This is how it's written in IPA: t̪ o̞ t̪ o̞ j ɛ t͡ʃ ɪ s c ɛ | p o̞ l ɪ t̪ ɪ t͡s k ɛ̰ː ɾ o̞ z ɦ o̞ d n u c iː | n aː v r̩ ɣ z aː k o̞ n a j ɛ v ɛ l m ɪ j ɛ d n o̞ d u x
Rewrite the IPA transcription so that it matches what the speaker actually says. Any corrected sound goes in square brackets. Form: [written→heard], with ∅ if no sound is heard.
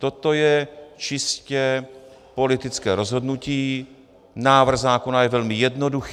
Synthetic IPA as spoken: t̪ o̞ t̪ o̞ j ɛ t͡ʃ ɪ s c ɛ | p o̞ l ɪ t̪ ɪ t͡s k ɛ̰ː ɾ o̞ z ɦ o̞ d n u c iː | n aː v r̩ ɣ z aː k o̞ n a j ɛ v ɛ l m ɪ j ɛ d n o̞ d u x